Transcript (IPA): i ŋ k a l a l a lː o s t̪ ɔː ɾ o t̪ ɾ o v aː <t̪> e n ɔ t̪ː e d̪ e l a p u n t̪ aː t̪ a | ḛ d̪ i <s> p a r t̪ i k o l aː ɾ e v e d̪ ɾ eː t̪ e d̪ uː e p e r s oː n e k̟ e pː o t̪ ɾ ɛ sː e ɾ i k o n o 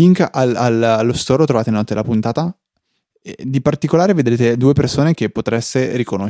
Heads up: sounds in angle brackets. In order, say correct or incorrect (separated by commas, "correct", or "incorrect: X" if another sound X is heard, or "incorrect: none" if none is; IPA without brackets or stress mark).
correct, incorrect: none